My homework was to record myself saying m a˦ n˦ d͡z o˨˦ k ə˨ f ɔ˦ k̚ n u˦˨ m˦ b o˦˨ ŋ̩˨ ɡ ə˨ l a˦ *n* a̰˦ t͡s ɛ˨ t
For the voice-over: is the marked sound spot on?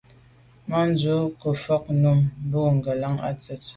no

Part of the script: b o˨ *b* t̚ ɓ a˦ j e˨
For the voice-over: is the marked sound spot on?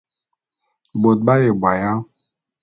no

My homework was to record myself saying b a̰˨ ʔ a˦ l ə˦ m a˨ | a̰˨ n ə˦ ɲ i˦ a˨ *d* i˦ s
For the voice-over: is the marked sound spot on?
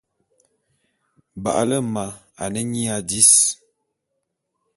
yes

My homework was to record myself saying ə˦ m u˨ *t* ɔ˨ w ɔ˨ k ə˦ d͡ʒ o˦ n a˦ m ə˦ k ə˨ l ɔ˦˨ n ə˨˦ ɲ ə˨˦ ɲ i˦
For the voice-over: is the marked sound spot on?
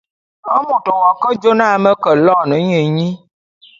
yes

